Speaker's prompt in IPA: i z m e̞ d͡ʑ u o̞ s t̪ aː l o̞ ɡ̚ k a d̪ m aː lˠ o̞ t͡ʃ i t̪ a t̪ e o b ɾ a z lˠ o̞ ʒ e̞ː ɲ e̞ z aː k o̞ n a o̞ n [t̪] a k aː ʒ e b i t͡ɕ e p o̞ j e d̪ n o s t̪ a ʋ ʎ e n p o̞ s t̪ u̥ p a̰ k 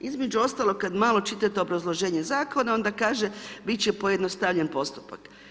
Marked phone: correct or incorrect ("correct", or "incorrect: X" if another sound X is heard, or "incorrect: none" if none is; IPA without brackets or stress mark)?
incorrect: d̪